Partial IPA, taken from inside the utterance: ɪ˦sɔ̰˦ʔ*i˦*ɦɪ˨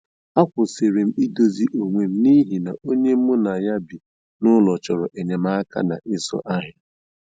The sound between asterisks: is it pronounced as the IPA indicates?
no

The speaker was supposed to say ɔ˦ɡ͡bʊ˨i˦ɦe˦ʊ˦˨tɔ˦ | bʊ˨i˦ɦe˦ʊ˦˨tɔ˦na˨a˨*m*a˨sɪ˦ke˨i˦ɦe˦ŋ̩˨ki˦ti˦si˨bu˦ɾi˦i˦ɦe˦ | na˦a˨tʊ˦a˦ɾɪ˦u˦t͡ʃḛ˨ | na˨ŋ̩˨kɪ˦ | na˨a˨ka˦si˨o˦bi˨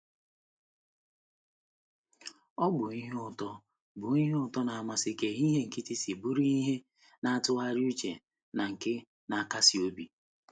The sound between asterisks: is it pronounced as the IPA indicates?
yes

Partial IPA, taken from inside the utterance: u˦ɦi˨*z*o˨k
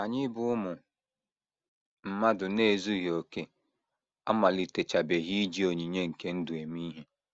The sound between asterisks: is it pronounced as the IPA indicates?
no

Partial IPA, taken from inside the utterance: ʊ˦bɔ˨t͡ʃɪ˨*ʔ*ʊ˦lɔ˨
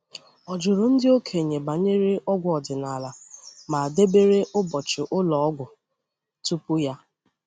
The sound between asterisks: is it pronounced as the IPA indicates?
yes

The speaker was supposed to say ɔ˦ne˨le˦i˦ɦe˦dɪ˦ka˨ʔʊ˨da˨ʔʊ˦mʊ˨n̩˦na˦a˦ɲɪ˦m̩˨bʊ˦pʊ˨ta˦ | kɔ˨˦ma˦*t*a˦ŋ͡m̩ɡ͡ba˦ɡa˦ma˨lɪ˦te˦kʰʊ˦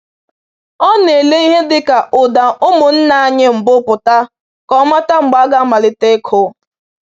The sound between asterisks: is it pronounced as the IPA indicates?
yes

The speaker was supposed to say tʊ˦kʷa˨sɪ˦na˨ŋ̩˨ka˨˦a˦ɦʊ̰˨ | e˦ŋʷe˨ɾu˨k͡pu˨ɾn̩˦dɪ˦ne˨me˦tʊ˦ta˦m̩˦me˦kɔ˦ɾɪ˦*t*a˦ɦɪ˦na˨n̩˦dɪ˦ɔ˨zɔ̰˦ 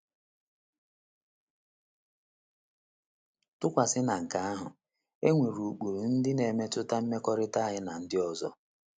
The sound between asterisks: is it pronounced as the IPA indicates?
yes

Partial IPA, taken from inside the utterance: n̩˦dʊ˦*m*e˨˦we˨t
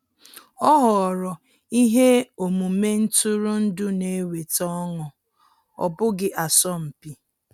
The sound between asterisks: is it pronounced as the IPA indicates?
no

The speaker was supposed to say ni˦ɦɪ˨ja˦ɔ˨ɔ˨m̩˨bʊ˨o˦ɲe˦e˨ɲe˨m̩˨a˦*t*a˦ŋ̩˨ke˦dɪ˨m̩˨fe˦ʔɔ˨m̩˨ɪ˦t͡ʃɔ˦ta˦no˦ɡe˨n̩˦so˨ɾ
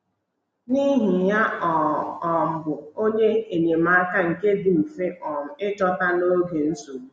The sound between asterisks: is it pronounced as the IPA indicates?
no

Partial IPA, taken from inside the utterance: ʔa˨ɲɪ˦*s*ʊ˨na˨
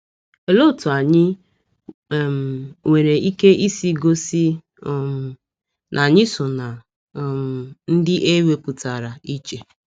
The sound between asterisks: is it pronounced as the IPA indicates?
yes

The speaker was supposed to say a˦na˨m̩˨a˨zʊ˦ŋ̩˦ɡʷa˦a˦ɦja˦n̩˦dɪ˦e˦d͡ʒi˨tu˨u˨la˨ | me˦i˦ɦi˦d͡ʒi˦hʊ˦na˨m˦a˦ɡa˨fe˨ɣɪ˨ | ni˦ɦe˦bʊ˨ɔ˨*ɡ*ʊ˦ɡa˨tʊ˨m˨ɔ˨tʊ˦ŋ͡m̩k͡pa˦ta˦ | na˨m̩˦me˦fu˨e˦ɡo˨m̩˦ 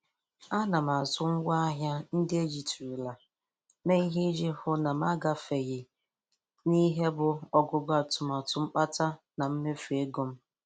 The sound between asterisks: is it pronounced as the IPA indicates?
yes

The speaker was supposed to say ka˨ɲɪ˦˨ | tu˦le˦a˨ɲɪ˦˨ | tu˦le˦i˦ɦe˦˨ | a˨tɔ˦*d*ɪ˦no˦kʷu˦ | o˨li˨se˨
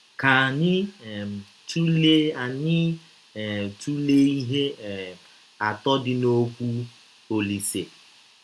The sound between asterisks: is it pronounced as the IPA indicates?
yes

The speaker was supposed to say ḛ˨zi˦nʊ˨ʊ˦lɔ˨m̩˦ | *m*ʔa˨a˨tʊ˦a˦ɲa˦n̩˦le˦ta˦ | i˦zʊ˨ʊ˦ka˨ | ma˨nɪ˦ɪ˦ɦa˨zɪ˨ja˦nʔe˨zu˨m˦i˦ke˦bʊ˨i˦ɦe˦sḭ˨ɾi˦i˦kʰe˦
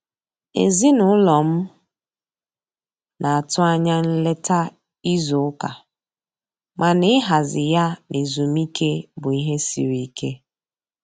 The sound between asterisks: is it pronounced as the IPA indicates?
no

